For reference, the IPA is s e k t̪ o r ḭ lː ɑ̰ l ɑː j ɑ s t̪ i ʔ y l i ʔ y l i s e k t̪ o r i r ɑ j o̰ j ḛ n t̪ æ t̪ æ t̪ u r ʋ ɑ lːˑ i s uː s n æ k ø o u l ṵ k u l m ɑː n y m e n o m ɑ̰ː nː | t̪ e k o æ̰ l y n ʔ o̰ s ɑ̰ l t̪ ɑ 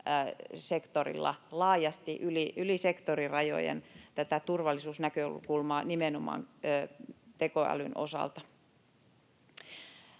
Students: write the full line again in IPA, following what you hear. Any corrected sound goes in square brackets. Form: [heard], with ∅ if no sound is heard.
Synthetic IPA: s e k t̪ o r ḭ lː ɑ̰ l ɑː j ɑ s t̪ i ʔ y l i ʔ y l i s e k t̪ o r i r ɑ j o̰ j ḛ n t̪ æ t̪ æ t̪ u r ʋ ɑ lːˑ i s uː s n æ k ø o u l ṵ k u l m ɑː n [i] m e n o m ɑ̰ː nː | t̪ e k o æ̰ l y n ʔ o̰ s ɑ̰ l t̪ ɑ